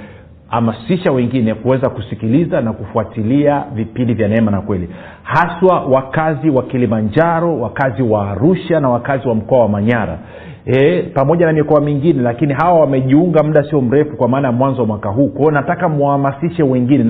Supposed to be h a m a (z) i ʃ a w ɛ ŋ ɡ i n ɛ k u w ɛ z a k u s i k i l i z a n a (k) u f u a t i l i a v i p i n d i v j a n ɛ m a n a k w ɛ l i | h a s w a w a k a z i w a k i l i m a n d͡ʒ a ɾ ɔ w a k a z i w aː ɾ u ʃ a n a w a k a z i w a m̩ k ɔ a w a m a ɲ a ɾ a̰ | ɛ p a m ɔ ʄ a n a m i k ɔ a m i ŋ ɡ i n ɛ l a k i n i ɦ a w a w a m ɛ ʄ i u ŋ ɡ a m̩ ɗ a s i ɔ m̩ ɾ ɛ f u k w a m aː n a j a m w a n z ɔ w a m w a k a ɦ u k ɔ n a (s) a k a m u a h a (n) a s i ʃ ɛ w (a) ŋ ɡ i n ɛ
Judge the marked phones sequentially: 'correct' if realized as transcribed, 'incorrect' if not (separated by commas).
incorrect, correct, incorrect, incorrect, incorrect